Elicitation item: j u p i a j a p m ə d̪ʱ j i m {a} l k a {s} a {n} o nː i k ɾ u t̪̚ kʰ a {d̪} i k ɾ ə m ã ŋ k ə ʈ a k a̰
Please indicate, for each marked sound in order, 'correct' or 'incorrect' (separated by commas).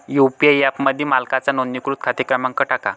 correct, incorrect, correct, incorrect